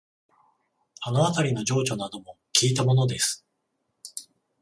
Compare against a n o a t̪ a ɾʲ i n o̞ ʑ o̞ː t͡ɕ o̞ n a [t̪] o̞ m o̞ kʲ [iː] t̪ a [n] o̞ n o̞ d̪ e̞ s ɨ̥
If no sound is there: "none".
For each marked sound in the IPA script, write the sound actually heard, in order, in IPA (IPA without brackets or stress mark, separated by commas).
d̪, iː, m